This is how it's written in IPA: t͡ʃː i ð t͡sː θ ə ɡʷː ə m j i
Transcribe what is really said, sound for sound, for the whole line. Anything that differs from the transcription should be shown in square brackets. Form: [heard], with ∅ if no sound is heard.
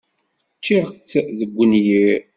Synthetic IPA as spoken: t͡ʃː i [ʁ] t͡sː [ð] ə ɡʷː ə [n] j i